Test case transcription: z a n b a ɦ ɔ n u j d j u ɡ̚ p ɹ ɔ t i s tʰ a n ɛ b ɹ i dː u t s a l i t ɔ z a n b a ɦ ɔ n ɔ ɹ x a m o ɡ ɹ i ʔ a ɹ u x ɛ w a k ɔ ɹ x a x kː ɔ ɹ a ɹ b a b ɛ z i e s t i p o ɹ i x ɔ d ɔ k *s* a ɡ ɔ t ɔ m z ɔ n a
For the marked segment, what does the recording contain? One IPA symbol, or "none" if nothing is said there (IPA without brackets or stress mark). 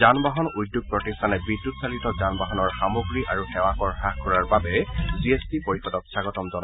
s